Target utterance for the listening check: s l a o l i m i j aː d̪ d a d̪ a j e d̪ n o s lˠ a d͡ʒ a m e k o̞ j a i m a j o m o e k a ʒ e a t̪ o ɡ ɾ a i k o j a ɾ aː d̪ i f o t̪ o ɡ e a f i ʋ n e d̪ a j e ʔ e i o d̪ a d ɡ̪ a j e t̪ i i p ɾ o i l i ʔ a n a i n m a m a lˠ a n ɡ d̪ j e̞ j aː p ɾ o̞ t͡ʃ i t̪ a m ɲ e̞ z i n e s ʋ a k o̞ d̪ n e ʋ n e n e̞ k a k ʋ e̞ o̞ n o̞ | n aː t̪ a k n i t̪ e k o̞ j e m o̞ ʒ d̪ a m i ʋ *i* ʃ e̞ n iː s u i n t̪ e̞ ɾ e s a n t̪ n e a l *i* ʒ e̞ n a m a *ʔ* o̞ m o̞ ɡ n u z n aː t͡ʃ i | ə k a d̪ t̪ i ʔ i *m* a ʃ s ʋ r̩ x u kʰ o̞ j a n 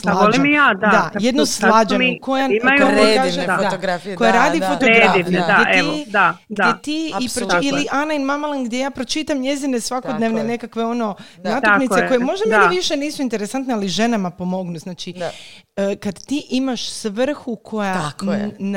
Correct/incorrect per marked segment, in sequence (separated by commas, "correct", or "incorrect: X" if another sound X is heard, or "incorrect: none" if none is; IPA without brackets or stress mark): correct, correct, incorrect: p, correct